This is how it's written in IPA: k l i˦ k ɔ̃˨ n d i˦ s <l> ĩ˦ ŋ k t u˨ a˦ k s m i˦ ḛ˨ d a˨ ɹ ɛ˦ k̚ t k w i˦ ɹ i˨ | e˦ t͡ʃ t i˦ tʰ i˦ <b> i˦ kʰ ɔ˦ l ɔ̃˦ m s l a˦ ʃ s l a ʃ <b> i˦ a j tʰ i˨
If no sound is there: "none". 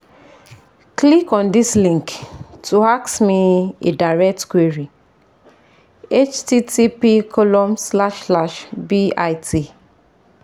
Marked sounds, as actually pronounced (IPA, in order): l, p, b

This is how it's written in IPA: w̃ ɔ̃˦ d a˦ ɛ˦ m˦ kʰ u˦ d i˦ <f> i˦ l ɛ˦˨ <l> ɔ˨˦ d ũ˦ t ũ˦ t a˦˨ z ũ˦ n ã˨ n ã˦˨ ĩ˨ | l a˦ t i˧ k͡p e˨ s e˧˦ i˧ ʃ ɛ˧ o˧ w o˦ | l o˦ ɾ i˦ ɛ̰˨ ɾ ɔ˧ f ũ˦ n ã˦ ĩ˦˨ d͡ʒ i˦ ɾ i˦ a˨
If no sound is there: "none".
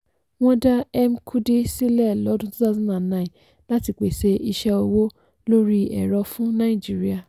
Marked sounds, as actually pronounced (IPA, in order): s, l

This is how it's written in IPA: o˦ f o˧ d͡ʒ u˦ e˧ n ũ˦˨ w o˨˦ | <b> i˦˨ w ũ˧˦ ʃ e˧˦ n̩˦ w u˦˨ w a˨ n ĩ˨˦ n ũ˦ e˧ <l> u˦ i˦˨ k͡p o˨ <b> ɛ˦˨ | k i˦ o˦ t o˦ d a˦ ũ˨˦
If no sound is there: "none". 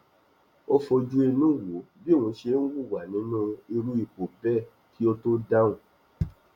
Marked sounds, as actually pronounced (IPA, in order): b, ɾ, b

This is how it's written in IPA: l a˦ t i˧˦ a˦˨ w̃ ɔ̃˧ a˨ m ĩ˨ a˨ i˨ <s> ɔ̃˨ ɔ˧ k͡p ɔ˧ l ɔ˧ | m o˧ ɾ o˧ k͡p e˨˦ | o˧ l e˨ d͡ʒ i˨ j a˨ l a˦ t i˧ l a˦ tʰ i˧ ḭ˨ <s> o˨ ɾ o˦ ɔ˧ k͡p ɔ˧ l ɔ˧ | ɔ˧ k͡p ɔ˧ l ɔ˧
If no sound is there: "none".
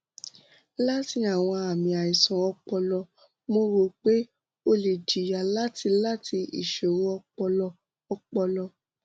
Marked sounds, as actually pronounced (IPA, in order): s, ʃ

